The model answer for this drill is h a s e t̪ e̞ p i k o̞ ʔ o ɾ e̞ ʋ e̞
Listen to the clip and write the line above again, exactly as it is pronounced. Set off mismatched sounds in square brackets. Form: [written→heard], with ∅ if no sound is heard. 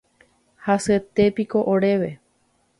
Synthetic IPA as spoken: h a s e t̪ e̞ p i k o̞ ʔ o ɾ e̞ ʋ e̞